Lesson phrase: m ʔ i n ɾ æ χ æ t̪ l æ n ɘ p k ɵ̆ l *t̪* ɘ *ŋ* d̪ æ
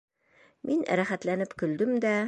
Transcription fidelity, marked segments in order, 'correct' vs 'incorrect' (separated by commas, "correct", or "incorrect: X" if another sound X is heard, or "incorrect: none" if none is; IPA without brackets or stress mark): incorrect: d̪, incorrect: m